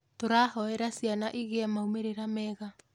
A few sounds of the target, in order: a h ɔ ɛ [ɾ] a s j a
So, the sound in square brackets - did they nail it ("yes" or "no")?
yes